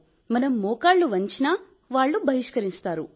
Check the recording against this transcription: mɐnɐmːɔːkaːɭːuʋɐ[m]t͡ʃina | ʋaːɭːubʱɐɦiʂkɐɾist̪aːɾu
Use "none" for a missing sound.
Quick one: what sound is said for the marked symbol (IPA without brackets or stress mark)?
ɲ